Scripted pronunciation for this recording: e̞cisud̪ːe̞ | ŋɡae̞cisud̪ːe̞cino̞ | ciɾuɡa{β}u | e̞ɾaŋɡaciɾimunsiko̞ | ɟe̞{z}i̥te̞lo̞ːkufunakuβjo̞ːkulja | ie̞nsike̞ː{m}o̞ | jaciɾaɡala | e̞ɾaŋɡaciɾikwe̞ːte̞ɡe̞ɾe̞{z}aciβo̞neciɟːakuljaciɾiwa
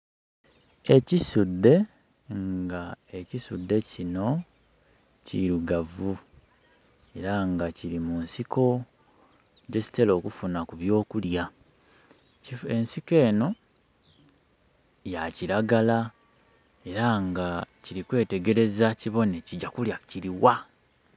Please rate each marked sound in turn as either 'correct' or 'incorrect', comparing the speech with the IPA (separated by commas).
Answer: incorrect, incorrect, incorrect, correct